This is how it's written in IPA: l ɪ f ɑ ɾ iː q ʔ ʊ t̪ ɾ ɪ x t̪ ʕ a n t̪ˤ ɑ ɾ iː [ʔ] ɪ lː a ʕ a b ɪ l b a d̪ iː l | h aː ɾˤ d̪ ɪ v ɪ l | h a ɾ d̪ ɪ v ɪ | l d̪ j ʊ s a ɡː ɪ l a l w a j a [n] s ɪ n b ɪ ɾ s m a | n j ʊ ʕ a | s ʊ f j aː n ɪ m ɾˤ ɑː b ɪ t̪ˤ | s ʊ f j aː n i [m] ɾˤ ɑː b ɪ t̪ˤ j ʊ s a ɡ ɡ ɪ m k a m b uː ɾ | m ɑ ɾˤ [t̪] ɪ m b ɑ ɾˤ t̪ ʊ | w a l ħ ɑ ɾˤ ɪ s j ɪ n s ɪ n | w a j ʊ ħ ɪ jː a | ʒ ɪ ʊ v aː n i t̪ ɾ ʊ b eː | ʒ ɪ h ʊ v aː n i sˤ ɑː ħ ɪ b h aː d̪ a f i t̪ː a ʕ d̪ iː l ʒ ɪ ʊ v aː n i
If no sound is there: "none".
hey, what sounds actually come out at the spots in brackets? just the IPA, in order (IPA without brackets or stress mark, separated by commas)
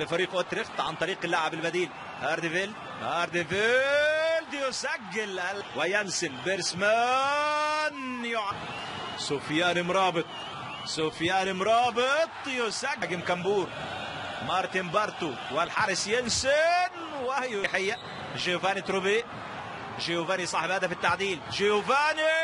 q, n, m, t̪